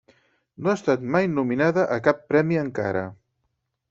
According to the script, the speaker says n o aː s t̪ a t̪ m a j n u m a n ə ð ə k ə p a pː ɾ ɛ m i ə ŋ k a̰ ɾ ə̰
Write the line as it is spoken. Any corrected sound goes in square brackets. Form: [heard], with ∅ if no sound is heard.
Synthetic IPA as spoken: n o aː s t̪ a t̪ m a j n u m [i] n [a] ð ə [ʔ] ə [k] a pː ɾ ɛ m i ə ŋ k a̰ ɾ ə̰